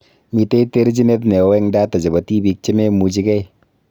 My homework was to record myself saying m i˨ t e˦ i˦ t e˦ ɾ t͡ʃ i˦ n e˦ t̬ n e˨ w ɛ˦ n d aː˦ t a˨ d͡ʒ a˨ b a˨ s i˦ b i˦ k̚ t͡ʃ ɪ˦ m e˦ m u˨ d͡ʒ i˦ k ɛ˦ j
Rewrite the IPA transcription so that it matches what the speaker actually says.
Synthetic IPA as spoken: m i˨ t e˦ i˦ t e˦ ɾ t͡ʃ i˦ n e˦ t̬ n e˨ w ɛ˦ ŋ d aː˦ t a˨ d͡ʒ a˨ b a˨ t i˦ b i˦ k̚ t͡ʃ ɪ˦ m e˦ m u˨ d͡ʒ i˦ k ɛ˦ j